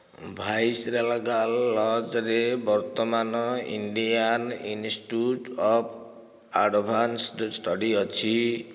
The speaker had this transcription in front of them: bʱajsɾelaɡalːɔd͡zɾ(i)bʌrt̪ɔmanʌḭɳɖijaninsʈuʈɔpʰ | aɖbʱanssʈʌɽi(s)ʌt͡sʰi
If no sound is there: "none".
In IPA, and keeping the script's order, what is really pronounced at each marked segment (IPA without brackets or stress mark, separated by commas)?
e, none